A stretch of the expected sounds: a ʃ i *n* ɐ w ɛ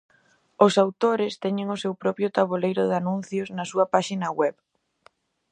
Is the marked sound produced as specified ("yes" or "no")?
yes